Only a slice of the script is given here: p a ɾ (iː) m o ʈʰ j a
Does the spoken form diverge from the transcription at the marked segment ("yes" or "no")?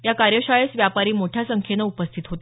no